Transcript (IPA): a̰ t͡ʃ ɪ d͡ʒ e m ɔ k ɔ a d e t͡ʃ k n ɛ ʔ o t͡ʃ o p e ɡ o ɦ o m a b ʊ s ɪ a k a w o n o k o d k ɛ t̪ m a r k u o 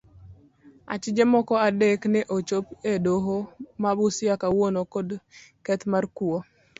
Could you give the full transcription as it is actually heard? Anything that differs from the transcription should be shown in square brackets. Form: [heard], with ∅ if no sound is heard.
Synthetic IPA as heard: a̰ t͡ʃ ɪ d͡ʒ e m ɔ k ɔ a d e [∅] k n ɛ ʔ o t͡ʃ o p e [d] o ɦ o m a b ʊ s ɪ a k a w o n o k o d k ɛ t̪ m a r k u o